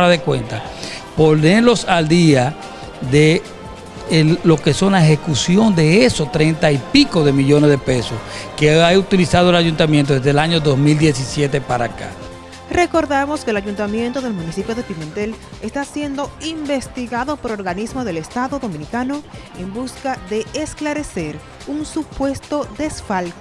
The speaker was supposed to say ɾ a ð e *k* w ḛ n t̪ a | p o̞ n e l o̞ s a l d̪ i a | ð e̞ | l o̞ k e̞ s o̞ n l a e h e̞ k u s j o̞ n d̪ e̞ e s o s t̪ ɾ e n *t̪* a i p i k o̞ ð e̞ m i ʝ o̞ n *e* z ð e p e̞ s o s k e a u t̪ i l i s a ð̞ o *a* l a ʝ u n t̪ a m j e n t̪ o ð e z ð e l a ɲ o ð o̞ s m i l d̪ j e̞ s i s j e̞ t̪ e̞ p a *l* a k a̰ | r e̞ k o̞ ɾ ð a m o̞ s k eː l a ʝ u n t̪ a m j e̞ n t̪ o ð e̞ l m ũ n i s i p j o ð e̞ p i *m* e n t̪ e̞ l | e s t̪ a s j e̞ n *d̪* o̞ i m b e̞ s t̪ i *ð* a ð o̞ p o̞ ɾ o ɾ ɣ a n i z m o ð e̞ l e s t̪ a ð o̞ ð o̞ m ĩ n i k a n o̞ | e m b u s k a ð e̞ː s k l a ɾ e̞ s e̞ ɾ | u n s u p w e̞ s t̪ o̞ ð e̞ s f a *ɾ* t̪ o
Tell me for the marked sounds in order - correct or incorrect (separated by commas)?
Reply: correct, correct, correct, incorrect, incorrect, correct, correct, incorrect, incorrect